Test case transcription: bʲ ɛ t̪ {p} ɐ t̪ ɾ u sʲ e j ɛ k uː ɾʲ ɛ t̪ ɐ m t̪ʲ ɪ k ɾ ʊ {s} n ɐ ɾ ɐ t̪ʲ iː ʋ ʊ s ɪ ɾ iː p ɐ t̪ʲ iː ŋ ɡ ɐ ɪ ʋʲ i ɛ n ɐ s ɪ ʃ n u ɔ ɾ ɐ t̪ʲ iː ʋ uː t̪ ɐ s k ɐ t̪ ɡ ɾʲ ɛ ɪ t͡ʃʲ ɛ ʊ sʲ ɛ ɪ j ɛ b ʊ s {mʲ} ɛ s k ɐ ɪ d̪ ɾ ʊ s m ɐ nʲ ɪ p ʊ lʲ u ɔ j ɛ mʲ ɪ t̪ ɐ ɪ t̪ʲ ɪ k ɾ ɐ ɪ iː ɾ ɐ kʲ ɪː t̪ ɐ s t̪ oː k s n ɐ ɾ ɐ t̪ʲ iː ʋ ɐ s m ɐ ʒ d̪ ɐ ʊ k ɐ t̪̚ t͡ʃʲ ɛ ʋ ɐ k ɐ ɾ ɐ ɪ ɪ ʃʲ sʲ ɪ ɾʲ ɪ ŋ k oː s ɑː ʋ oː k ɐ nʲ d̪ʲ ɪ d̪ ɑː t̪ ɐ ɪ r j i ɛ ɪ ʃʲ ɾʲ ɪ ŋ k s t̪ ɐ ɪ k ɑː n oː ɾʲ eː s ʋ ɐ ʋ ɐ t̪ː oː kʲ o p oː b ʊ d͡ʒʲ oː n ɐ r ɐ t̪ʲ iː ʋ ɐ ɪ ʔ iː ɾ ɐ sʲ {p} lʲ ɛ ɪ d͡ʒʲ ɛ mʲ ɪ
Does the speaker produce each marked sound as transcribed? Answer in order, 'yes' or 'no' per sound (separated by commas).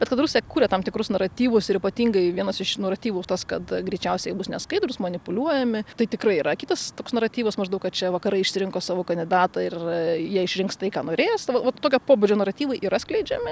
no, yes, no, no